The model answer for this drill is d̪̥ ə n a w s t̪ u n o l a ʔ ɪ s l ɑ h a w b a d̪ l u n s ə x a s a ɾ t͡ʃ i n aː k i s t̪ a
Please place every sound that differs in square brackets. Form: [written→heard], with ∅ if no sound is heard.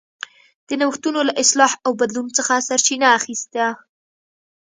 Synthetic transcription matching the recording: d̪̥ ə n a w [s→x] t̪ u n o l a ʔ ɪ s l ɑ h a w b a d̪ l u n [s→t͡s] ə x a s a ɾ t͡ʃ i n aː [k→x] i s t̪ a